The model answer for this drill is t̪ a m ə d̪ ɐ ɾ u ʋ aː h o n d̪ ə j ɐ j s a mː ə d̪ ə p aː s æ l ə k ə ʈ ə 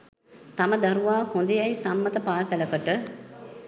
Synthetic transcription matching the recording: t̪ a m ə d̪ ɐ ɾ u ʋ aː h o n d̪ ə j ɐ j s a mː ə t̪ ə p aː s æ l ə k ə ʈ ə

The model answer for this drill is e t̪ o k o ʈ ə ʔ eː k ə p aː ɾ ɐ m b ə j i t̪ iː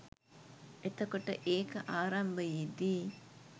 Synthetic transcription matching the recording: e t̪ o k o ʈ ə ʔ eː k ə ʔ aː ɾ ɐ m b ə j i d̪ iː

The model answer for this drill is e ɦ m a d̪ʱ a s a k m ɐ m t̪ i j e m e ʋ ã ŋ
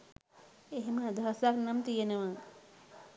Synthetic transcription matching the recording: e ɦ m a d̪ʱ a s a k n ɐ m t̪ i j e n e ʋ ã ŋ

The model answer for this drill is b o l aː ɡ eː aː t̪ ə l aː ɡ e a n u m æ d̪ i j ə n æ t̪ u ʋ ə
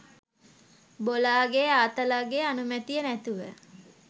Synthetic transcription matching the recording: b o l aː ɡ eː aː t̪ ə l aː ɡ e a n u m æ t̪ i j ə n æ t̪ u ʋ ə

